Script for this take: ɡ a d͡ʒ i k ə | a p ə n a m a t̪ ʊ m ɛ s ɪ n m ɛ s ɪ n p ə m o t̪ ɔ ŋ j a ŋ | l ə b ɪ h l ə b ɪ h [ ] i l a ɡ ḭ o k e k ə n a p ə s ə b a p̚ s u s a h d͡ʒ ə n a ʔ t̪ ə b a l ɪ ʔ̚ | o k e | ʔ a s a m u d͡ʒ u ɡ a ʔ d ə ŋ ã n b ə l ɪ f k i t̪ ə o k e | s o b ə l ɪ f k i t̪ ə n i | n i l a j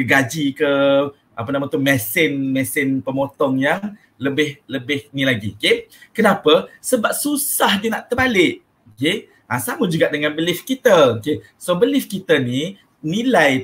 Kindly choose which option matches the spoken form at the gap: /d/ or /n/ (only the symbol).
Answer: n